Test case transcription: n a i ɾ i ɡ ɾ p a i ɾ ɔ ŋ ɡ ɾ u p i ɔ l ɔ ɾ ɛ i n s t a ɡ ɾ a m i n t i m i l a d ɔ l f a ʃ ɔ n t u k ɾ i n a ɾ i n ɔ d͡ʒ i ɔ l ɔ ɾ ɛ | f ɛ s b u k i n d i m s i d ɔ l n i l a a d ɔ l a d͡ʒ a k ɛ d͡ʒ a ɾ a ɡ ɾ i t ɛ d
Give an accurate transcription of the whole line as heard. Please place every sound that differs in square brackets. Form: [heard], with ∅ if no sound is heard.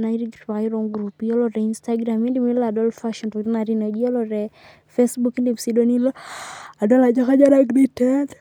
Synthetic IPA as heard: n a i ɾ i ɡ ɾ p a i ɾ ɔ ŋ ɡ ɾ u p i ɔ l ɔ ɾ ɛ i n s t a ɡ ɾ a m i n [d] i m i l a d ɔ l f a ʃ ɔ n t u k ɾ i n a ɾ i n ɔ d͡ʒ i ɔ l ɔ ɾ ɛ | f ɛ s b u k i n d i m s i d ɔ [∅] n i l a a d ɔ l a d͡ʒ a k [a] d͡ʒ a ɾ a ɡ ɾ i t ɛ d

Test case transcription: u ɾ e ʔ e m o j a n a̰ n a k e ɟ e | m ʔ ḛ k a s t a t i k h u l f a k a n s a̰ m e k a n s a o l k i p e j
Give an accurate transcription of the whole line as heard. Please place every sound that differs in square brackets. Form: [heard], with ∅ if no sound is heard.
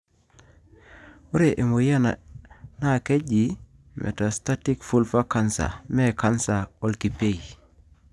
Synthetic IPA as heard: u ɾ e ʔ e m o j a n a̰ n a k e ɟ [i] | m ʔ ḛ [t] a s t a t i k [f] u l f a k a n s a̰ m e k a n s a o l k i p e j

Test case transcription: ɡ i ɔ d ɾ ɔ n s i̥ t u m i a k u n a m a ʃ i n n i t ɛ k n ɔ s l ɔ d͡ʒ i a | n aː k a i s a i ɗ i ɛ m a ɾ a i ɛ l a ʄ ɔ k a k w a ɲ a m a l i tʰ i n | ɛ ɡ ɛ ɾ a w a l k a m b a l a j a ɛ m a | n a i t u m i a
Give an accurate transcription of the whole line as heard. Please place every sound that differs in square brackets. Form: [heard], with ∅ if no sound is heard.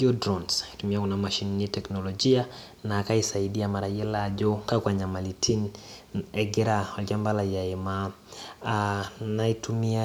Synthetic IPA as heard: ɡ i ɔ d ɾ ɔ n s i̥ t u m i a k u n a m a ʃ i n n i t ɛ k n ɔ [∅] l ɔ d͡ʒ i a | n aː k a i s a i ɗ i [a] m a ɾ a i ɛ l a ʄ ɔ k a k w a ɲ a m a l i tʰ i n | ɛ ɡ ɛ ɾ a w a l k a m b a l a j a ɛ m a | n a i t u m i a

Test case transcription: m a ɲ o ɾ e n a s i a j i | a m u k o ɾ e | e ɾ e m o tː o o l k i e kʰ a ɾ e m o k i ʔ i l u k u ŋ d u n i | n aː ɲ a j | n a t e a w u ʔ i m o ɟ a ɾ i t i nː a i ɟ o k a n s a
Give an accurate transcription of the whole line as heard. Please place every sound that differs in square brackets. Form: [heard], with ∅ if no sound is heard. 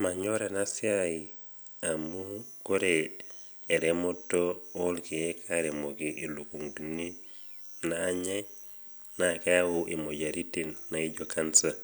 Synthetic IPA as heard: m a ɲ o ɾ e n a s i a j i | a m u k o ɾ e | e ɾ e m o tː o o l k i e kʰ a ɾ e m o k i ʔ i l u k u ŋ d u n i | n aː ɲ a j | n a [k] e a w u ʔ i m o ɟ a ɾ i t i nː a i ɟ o k a n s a

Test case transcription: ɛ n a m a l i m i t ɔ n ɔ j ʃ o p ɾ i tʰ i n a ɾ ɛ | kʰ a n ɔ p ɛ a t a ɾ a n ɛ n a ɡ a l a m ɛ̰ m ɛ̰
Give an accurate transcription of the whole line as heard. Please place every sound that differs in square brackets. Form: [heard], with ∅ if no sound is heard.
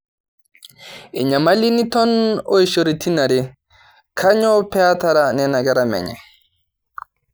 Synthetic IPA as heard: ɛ [ɲ] a m a l i [n] i t ɔ n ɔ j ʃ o [∅] ɾ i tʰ i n a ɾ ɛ | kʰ a [ɲ] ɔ p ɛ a t a ɾ a n ɛ n a ɡ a [ɾ] a m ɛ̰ [ɲ] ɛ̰

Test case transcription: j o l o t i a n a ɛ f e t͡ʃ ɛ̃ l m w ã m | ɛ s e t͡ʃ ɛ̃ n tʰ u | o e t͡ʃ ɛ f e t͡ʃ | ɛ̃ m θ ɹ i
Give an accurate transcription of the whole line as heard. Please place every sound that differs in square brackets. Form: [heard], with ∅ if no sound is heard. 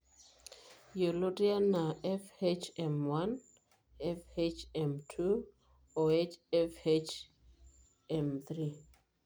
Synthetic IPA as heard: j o l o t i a n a ɛ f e t͡ʃ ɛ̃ [∅] m w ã [n] | ɛ [f] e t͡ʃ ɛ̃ [m] tʰ u | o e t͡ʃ ɛ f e t͡ʃ | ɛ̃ m θ ɹ i

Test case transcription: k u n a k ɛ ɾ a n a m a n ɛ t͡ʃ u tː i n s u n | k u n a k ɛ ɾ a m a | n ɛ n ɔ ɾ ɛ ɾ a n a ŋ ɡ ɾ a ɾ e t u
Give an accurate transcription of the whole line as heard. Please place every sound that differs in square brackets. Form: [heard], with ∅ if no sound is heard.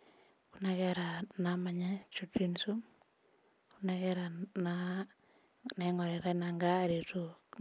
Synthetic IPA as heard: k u n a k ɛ ɾ a n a m a [ɲ] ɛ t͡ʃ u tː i n s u [m] | k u n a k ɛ ɾ a [n] a | n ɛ [ŋ] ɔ ɾ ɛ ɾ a n a ŋ ɡ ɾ a ɾ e t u

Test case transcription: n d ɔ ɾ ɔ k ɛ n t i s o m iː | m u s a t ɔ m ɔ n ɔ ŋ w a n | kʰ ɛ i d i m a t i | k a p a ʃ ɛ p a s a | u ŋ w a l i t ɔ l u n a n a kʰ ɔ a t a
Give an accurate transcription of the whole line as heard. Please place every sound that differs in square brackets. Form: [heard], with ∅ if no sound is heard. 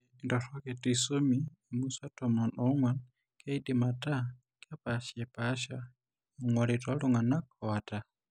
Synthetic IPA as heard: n d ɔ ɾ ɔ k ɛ [∅] t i s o m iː | m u s a t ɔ m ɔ n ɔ ŋ w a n | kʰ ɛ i d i m a t [a] | k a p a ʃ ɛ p a [ʃ] a | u ŋ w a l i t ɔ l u [ŋ] a n a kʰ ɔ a t a

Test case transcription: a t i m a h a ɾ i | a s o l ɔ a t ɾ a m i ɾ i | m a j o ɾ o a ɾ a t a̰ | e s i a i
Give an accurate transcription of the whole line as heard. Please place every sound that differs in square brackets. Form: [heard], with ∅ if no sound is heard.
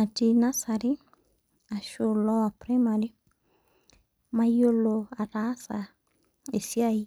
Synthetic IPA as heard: a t i [n] a [s] a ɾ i | a [ʃ] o l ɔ a [p] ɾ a m [a] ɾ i | m a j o [l] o a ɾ a [s] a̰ | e s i a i

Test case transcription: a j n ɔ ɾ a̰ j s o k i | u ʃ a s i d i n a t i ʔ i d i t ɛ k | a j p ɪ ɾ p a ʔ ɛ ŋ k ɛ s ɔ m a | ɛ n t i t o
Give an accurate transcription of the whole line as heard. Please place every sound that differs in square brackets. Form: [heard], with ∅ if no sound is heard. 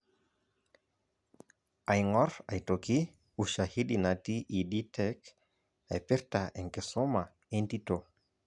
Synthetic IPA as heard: a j [ŋ] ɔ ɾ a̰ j [t] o k i | u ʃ a [h] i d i n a t i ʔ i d i t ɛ k | a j p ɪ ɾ [t] a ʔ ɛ ŋ k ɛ s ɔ m a | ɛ n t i t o

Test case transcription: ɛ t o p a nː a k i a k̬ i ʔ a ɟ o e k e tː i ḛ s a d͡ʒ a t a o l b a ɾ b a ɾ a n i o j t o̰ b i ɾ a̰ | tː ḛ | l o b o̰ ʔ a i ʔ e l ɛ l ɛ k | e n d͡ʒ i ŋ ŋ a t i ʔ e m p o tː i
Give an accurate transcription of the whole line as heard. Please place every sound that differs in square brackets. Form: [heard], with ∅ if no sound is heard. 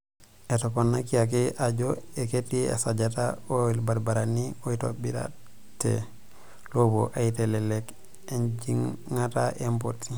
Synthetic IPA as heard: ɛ t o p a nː a k i a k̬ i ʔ a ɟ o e k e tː i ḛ s a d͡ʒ a t a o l b a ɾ b a ɾ a n i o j t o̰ b i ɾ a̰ | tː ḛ | l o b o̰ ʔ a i [t] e l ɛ l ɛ k | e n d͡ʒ i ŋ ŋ a t [a] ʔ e m p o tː i

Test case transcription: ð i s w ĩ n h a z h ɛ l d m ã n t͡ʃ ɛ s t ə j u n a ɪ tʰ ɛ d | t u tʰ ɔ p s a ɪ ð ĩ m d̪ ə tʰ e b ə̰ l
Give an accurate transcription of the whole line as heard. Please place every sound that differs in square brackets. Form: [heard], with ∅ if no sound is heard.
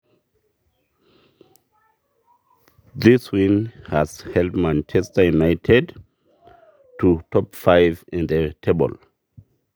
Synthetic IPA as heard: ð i s w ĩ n h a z h ɛ l d m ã n t͡ʃ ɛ s t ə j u n a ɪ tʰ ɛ d | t u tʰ ɔ p [f] a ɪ [v] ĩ [n] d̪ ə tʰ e b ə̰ l

